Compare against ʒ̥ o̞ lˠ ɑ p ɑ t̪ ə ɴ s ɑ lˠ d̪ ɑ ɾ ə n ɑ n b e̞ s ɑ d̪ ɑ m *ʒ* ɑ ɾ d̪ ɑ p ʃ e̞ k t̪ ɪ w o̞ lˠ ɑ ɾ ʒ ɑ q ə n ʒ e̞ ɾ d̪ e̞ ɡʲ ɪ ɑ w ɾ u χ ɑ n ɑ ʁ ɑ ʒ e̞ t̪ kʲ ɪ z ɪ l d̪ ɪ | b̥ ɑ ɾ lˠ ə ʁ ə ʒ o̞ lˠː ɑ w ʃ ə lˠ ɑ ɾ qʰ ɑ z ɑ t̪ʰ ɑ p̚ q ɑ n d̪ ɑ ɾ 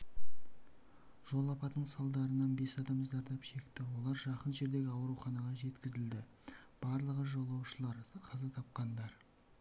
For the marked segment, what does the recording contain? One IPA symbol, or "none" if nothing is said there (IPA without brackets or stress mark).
z